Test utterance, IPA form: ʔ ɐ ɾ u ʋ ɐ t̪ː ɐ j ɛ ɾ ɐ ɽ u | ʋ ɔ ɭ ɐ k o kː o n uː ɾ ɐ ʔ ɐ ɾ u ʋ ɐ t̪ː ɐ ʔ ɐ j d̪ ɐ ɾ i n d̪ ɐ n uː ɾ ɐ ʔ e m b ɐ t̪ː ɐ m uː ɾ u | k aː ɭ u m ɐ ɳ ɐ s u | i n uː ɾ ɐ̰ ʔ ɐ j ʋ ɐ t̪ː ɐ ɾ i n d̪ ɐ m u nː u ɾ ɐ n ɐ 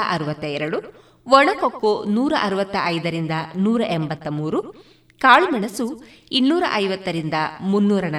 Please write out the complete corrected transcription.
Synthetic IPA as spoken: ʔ ɐ ɾ u ʋ ɐ t̪ː ɐ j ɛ ɾ ɐ ɽ u | ʋ ɔ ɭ ɐ k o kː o n uː ɾ ɐ ʔ ɐ ɾ u ʋ ɐ t̪ː ɐ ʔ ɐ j d̪ ɐ ɾ i n d̪ ɐ n uː ɾ ɐ ʔ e m b ɐ t̪ː ɐ m uː ɾ u | k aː ɭ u m ɐ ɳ ɐ s u | i nː uː ɾ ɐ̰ ʔ ɐ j ʋ ɐ t̪ː ɐ ɾ i n d̪ ɐ m u nː uː ɾ ɐ n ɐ